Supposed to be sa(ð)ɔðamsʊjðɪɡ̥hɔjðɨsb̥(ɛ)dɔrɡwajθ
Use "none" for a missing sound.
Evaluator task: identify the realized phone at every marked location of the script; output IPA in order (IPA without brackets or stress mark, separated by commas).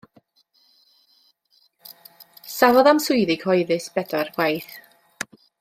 v, ɛ